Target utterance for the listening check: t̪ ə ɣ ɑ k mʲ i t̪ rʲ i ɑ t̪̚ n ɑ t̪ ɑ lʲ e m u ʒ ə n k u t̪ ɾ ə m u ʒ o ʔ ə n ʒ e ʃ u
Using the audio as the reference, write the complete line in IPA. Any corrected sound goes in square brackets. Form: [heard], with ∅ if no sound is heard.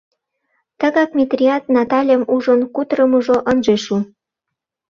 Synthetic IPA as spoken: t̪ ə ɣ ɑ k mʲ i t̪ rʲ i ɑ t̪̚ n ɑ t̪ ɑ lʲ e m u ʒ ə n k u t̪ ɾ ə m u ʒ o ʔ ə n ʒ e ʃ u